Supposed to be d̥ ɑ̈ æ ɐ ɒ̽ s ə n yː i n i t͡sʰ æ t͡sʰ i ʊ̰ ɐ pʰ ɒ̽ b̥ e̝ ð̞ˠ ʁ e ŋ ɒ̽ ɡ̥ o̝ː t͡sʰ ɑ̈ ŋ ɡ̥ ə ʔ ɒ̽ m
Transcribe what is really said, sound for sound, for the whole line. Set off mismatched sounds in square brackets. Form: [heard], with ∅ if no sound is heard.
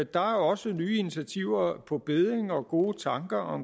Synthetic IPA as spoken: d̥ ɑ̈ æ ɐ ɒ̽ s ə n yː i n i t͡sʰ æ t͡sʰ i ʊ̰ ɐ pʰ ɒ̽ b̥ e̝ ð̞ˠ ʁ e ŋ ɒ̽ ɡ̥ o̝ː t͡sʰ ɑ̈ ŋ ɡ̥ [ɐ] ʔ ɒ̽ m